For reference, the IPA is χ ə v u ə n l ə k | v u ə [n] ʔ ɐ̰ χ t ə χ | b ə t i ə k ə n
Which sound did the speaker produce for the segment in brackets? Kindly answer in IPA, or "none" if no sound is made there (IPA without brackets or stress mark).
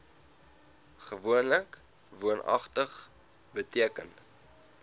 n